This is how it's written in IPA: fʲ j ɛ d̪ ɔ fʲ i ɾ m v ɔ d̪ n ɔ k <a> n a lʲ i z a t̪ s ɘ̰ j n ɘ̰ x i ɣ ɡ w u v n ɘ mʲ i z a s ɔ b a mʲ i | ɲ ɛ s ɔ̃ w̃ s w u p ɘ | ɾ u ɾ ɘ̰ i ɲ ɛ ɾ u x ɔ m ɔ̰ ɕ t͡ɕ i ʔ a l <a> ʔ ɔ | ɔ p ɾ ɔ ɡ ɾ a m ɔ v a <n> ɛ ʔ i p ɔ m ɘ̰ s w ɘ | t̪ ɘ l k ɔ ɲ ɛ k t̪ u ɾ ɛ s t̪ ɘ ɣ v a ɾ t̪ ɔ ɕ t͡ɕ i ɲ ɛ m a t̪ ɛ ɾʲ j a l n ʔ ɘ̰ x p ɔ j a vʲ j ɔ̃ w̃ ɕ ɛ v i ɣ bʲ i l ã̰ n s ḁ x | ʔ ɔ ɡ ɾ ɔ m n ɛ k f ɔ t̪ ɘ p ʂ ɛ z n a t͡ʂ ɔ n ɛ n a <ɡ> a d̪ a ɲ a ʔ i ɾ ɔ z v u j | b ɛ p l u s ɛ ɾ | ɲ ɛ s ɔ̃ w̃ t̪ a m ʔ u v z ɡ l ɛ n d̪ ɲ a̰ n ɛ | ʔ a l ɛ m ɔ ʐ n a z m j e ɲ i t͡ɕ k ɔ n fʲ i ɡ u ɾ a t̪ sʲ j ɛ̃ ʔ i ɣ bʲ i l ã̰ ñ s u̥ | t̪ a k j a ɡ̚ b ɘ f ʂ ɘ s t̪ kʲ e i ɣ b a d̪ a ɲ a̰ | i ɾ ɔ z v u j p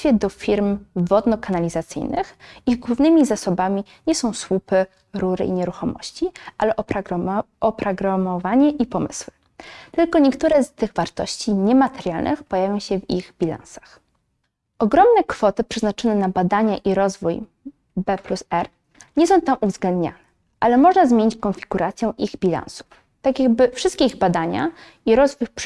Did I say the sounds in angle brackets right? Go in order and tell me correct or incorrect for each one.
correct, incorrect: ɛ, incorrect: ɲ, incorrect: b

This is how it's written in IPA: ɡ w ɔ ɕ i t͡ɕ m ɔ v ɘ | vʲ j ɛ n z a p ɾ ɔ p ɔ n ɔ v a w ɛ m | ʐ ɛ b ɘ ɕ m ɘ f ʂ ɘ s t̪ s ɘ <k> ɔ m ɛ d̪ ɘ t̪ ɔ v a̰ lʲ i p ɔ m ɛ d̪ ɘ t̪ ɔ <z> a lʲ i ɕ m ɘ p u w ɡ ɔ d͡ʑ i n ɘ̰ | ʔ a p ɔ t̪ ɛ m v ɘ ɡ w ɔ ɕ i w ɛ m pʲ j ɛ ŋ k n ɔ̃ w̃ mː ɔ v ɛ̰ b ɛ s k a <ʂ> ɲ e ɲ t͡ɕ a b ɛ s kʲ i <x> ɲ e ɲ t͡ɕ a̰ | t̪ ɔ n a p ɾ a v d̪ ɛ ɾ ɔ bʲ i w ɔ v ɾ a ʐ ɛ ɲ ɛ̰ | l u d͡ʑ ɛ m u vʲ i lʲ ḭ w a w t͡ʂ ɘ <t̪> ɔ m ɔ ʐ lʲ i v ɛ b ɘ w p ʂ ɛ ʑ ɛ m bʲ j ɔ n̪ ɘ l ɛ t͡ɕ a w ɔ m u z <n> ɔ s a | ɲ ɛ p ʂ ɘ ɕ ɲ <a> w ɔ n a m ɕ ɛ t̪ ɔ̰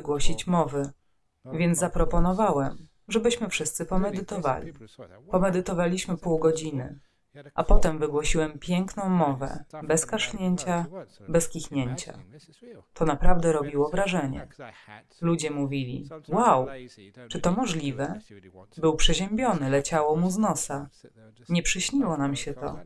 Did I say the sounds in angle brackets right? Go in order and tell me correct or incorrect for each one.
incorrect: p, incorrect: v, correct, correct, correct, correct, incorrect: i

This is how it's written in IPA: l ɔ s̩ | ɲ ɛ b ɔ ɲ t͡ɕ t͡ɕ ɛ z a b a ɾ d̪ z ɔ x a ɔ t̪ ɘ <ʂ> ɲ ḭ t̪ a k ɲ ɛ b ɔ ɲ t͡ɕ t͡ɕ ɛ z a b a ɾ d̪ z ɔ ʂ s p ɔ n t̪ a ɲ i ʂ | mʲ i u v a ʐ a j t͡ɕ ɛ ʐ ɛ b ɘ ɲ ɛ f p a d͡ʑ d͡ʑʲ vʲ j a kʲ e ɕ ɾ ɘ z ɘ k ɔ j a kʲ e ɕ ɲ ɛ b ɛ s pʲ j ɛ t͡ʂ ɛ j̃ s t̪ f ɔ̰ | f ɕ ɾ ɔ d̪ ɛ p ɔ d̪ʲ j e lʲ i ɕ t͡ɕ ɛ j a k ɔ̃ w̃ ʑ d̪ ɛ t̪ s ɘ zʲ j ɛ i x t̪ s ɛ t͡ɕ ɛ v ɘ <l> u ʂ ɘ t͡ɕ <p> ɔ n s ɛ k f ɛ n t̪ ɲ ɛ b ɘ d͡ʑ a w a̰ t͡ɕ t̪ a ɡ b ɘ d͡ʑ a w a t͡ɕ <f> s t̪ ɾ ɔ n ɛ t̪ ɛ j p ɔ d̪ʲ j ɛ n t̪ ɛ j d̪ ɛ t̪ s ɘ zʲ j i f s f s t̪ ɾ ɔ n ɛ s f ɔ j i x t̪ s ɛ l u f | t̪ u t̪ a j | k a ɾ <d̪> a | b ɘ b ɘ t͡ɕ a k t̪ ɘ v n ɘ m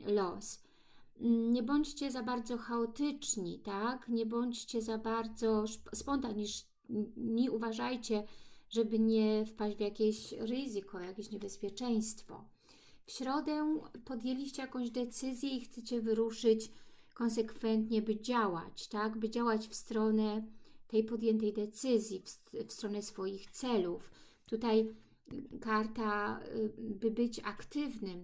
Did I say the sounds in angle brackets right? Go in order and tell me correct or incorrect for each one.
incorrect: t͡ʂ, incorrect: ɾ, incorrect: k, correct, incorrect: t̪

